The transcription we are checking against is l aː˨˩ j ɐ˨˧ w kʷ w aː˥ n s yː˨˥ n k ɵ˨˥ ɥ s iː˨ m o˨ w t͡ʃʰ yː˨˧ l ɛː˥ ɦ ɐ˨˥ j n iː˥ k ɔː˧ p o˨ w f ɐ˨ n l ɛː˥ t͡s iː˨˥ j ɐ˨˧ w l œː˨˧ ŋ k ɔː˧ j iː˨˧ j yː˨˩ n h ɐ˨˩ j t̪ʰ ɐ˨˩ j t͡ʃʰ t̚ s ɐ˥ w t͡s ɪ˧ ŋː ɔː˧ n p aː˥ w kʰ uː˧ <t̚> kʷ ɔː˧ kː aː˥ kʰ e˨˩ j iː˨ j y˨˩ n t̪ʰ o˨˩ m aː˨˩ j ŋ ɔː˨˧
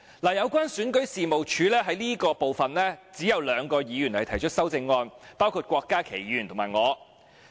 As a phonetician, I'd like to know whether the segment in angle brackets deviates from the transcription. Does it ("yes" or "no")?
no